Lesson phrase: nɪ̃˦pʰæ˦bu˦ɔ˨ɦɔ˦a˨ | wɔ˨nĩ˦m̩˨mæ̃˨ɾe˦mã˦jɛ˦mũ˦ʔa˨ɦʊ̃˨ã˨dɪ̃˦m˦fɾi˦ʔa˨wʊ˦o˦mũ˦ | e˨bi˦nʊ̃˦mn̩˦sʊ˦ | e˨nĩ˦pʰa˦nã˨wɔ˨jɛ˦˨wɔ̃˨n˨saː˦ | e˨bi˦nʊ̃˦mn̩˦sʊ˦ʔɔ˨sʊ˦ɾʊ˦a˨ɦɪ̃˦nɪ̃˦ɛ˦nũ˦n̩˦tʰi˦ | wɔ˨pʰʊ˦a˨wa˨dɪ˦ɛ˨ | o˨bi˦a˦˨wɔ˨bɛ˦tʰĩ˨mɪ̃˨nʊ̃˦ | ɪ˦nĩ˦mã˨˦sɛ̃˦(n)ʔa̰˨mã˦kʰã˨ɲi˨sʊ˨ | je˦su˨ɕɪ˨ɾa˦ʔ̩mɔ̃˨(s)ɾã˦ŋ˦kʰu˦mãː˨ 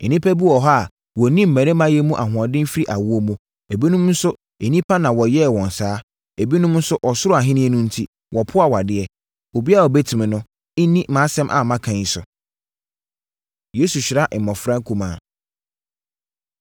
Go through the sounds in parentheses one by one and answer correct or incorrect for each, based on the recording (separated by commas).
incorrect, incorrect